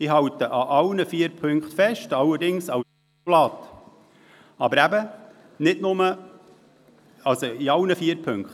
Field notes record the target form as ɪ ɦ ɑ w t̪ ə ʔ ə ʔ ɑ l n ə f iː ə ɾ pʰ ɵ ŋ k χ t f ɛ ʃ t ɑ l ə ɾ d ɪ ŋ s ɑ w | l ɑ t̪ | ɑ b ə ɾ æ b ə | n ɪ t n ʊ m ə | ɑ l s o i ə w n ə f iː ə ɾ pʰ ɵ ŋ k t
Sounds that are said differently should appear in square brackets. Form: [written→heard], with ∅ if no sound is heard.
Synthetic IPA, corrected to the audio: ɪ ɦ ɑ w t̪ ə ʔ [ə→ɑ] ʔ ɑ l n ə f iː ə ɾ pʰ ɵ ŋ k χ t f ɛ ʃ t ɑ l ə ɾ d ɪ ŋ s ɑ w | l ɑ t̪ | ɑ b ə ɾ æ b ə | n ɪ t n ʊ m ə | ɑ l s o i [ə→ɑ] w n ə f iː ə ɾ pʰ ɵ ŋ k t